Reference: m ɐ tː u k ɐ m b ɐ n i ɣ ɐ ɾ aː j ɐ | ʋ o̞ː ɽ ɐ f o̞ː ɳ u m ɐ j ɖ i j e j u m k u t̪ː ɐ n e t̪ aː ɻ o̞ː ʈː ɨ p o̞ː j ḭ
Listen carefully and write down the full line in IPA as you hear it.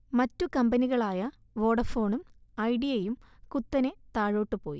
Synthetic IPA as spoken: m ɐ tː u k ɐ m b ɐ n i ɣ ɐ ɭ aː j ɐ | ʋ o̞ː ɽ ɐ f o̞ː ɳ u m ɐ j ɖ i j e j u m k u t̪ː ɐ n e t̪ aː ɻ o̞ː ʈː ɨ p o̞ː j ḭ